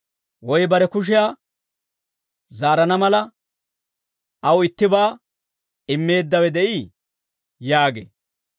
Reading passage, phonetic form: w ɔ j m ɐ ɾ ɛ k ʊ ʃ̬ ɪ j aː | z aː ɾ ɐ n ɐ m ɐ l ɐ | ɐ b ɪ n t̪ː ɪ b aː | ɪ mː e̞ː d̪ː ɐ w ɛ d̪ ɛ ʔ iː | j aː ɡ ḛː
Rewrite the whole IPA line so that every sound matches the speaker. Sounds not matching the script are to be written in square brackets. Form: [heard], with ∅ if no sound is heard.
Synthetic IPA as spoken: w ɔ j [b] ɐ ɾ ɛ k ʊ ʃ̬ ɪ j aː | z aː ɾ ɐ n ɐ m ɐ l ɐ | ɐ [w] ɪ [∅] t̪ː ɪ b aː | ɪ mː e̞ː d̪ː ɐ w ɛ d̪ ɛ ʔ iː | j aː ɡ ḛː